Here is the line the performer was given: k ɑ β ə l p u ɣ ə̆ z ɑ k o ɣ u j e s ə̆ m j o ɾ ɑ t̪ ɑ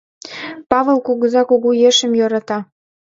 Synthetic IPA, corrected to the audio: p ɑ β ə l k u ɣ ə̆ z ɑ k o ɣ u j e ʃ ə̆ m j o ɾ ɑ t̪ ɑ